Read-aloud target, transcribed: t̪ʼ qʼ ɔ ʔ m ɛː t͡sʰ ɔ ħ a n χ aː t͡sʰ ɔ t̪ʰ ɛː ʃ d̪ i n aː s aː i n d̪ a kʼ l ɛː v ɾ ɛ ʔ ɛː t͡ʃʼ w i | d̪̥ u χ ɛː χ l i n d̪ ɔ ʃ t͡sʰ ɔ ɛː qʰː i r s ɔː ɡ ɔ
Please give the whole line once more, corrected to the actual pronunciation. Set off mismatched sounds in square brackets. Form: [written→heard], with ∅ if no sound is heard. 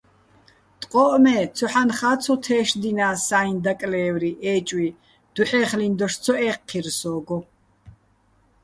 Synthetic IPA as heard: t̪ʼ qʼ ɔ ʔ m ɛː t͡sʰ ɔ ħ a n χ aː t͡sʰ ɔ t̪ʰ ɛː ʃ d̪ i n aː s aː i n d̪ a kʼ l ɛː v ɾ [ɛ→i] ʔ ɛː t͡ʃʼ w i | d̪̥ u [χ→ħ] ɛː χ l i n d̪ ɔ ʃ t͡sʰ ɔ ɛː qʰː i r s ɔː ɡ ɔ